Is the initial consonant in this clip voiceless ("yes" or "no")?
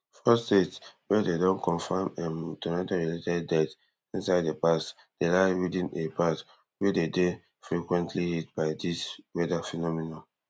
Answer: yes